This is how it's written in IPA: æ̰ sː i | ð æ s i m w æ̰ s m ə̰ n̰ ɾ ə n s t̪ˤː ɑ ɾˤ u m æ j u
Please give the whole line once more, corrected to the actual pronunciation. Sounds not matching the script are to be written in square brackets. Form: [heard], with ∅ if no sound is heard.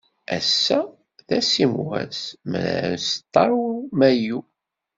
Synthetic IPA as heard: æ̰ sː [æ] | ð æ s i m w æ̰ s m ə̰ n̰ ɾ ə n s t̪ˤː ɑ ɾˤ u m æ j u